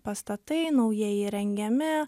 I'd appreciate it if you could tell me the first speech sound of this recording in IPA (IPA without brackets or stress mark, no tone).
p